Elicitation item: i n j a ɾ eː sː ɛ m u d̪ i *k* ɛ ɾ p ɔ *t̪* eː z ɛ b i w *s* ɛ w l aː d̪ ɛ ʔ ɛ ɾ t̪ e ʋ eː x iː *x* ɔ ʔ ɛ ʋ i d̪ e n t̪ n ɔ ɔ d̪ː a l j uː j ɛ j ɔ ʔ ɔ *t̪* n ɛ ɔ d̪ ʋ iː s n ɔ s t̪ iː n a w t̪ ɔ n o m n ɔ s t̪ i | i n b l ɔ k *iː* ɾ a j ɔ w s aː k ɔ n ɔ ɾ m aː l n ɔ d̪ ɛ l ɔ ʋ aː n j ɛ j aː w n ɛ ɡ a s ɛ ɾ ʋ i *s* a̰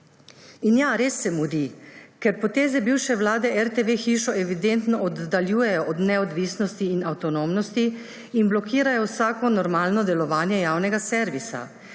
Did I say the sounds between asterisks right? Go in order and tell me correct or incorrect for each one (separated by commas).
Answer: correct, correct, incorrect, incorrect, incorrect, correct, correct